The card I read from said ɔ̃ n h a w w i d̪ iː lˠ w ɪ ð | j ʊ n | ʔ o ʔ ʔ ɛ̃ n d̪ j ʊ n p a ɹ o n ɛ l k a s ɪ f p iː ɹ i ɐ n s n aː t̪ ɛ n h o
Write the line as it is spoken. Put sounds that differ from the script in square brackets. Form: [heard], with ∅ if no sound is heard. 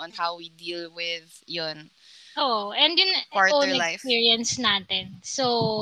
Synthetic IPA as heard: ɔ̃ n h a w w i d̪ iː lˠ w ɪ ð | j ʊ n | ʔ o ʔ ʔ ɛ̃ n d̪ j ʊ n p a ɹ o n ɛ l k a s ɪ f p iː ɹ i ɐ n s n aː t̪ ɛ n [s] o